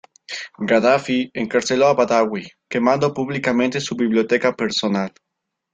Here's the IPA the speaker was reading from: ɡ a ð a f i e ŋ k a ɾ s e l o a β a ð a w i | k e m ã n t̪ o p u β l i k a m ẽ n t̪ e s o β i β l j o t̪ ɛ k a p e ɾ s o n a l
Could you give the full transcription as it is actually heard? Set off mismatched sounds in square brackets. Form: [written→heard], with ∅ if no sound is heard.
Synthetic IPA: ɡ a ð a f i e ŋ k a ɾ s e l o a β a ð a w i | k e m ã n [t̪→d̪] o p u β l i k a m ẽ n t̪ e s [o→u] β i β l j o t̪ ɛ k a p e ɾ s o n a l